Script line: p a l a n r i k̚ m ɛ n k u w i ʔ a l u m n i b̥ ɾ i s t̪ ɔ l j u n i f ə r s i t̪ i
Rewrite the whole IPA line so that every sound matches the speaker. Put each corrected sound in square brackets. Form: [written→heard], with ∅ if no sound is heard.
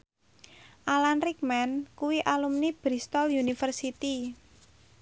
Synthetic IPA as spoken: [p→ʔ] a l a n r i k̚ m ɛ n k u w i ʔ a l u m n i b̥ ɾ i s t̪ ɔ l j u n i f ə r s i t̪ i